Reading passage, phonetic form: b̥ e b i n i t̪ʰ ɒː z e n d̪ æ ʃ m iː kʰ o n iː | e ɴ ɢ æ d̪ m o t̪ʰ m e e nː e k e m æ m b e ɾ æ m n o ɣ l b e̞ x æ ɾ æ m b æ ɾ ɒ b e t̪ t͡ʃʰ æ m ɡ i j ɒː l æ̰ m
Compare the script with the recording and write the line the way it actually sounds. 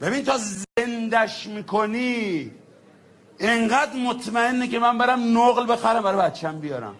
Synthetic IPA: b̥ e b i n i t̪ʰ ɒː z e n d̪ æ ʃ m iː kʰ o n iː | e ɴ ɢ æ d̪ m o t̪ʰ m æ e nː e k e m æ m b e ɾ æ m n o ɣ l b e̞ x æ ɾ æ m b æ ɾ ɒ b æ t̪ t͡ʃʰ æ m b i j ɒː ɾ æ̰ m